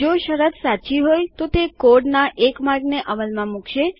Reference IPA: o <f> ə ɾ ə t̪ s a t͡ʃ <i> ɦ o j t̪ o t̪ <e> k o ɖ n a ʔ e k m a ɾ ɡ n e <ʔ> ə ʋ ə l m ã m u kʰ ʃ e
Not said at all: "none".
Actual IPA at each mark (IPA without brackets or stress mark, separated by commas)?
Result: ʃ, i, e, ʔ